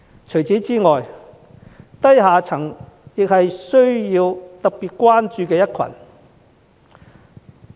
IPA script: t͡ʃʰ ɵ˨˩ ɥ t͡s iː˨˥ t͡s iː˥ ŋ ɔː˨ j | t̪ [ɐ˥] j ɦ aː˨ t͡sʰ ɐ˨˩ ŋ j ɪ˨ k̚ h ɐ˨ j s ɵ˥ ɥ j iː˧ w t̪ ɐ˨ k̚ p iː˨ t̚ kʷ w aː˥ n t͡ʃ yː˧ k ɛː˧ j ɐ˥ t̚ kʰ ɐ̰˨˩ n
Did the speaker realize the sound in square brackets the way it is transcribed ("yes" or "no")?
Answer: yes